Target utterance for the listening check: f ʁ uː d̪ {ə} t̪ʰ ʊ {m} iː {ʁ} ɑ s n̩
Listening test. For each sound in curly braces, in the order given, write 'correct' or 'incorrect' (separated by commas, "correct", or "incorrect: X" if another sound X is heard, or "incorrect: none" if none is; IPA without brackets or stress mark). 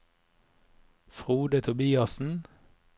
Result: correct, incorrect: b, incorrect: none